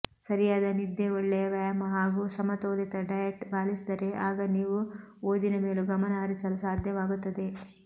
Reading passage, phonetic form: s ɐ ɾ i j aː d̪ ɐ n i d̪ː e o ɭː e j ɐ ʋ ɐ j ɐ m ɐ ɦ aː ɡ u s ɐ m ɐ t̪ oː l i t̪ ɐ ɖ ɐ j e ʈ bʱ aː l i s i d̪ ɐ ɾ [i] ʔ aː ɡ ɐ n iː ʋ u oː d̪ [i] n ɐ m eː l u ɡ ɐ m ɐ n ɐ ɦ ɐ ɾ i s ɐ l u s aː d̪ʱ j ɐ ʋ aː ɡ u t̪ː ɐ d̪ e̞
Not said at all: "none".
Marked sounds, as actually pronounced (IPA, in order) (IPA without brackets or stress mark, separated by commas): e, i